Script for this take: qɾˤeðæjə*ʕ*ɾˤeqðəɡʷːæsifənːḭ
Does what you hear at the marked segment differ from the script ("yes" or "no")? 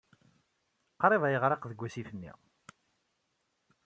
yes